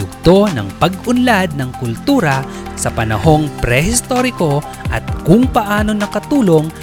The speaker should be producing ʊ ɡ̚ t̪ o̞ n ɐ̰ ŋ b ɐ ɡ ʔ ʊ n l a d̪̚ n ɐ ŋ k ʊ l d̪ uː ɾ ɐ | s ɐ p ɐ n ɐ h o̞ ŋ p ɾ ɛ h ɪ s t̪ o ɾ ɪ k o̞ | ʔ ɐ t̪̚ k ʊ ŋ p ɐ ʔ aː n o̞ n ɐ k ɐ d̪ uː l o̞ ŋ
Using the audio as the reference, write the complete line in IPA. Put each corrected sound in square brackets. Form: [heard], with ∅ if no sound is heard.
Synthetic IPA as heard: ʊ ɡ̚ t̪ o̞ n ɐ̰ ŋ [p] ɐ ɡ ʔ ʊ n l a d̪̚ n ɐ ŋ k ʊ l [t̪] uː ɾ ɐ | s ɐ p ɐ n ɐ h o̞ ŋ p ɾ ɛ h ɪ s t̪ o ɾ ɪ k o̞ | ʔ ɐ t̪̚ k ʊ ŋ p ɐ ʔ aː n o̞ n ɐ k ɐ [t̪] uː l o̞ ŋ